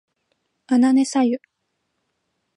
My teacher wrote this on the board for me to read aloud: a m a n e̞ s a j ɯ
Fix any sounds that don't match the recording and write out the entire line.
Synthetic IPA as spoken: a n a n e̞ s a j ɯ